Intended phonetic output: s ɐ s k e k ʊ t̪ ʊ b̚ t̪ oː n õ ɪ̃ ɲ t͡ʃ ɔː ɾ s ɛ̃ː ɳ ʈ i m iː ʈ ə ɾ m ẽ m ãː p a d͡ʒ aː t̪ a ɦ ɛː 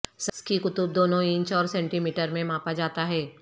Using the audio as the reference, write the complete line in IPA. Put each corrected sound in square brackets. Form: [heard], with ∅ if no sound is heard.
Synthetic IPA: s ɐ s k [i] k ʊ t̪ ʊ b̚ [d̪] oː n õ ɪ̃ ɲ t͡ʃ ɔː ɾ s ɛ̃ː ɳ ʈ i m iː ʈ ə ɾ m ẽ m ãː p a d͡ʒ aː t̪ a ɦ ɛː